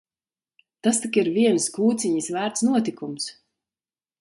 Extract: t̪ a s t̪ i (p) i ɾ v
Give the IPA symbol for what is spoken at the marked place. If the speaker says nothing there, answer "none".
k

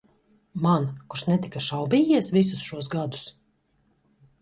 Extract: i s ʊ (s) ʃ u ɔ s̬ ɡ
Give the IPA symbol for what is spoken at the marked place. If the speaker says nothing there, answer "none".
s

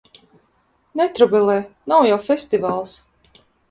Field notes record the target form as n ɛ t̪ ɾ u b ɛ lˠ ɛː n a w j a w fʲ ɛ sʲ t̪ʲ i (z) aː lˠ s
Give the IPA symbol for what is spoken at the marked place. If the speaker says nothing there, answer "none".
v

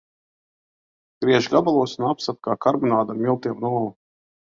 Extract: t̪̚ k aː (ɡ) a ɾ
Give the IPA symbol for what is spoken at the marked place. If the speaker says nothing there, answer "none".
k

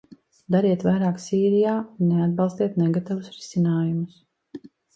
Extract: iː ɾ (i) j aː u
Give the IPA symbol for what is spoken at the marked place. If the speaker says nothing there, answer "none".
i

